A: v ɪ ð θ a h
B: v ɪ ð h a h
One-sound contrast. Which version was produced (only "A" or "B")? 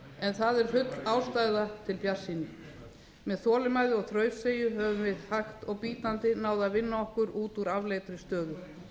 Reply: B